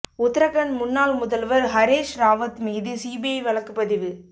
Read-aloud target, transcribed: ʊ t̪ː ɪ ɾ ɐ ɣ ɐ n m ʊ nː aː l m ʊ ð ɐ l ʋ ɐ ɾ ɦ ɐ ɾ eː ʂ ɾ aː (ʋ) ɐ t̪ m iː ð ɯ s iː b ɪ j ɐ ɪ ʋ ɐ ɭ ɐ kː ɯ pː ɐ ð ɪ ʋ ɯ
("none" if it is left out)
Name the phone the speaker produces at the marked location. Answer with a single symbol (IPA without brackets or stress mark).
ʋ